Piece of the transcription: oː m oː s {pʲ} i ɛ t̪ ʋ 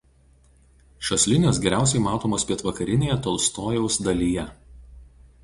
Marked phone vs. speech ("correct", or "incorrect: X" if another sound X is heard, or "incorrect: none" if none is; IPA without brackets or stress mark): correct